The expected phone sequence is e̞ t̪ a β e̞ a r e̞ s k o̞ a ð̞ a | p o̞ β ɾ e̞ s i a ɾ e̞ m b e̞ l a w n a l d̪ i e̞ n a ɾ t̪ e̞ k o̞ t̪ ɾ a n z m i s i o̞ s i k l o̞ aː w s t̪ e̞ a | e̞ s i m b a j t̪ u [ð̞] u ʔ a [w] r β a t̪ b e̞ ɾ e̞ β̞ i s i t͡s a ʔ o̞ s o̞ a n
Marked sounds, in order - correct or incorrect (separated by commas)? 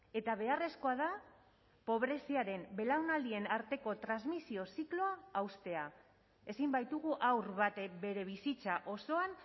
incorrect, correct